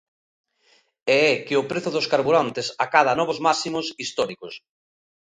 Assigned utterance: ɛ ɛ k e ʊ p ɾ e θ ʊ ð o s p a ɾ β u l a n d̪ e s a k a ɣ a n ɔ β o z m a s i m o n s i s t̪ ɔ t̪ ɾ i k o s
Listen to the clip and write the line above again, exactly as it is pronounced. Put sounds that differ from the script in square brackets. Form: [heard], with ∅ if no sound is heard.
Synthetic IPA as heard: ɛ ɛ k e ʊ p ɾ e θ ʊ ð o s [k] a ɾ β u [ɾ] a n [t̪] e s a k a [ð] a n ɔ β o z m a s i m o [∅] s i s t̪ ɔ [∅] ɾ i k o s